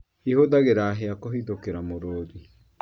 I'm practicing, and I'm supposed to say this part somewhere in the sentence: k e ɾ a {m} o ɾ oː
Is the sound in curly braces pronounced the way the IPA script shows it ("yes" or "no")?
yes